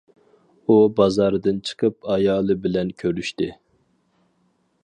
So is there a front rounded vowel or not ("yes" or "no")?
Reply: yes